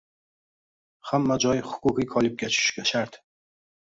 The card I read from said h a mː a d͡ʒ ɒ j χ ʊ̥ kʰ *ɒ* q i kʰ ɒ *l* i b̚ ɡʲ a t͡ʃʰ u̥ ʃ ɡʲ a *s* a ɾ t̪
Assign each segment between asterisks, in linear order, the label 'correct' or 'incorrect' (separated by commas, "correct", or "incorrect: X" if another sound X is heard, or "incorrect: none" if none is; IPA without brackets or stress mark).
incorrect: u, correct, incorrect: ʃ